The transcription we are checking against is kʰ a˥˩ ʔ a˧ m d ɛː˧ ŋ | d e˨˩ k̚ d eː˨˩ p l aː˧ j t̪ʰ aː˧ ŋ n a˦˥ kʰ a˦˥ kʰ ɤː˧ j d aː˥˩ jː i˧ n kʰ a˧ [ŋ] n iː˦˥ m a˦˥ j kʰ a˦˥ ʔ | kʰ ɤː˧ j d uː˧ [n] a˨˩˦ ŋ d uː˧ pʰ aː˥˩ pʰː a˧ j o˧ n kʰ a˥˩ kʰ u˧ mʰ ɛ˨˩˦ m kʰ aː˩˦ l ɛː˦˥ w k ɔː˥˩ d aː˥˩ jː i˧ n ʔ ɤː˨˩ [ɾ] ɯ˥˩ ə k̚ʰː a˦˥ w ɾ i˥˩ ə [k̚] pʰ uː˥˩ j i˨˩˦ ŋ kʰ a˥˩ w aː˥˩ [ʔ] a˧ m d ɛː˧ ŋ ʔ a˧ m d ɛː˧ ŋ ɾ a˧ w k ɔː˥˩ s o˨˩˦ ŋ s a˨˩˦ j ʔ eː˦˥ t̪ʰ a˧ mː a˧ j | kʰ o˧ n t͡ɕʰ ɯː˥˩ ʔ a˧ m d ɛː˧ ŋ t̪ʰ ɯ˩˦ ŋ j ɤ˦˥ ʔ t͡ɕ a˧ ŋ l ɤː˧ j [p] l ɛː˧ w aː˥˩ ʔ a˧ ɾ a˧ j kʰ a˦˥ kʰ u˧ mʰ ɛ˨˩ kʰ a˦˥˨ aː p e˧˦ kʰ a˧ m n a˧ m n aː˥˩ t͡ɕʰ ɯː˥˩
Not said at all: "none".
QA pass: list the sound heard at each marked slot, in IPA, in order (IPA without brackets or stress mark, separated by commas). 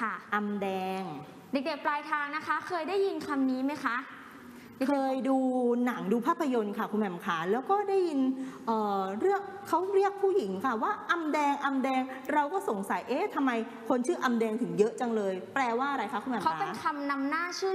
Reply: m, n, ɾ, k̚, ʔ, p